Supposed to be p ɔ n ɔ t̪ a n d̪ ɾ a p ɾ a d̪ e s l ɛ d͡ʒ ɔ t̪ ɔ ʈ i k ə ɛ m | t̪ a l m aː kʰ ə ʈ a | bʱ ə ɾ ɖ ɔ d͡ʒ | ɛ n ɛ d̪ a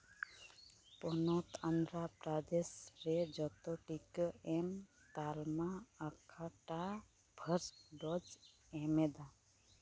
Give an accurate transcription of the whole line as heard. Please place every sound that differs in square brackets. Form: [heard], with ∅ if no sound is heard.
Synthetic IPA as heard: p ɔ n ɔ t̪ a n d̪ ɾ a p ɾ a d̪ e s [ɾ] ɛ d͡ʒ ɔ t̪ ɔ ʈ i k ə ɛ m | t̪ a l m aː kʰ [a] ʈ a | bʱ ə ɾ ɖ ɔ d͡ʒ | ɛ [m] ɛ d̪ a